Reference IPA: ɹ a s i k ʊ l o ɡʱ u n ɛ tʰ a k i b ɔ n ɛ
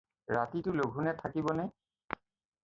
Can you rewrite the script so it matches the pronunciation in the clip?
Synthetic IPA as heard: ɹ a t i t ʊ l o ɡʱ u n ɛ tʰ a k i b ɔ n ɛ